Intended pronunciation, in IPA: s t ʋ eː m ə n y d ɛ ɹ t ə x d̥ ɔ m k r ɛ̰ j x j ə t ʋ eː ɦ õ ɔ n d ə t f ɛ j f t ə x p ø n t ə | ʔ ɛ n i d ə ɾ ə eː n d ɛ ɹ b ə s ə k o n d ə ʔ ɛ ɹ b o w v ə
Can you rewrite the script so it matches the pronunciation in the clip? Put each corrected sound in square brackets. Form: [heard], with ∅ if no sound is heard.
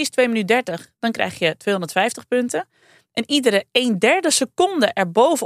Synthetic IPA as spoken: s t ʋ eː m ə n y d ɛ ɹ t ə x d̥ ɔ [n] k r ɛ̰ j x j ə t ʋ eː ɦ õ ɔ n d ə t f ɛ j f t ə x p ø n t ə | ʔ ɛ n i d ə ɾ ə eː n d ɛ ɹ [d] ə s ə k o n d ə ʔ ɛ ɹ b o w v ə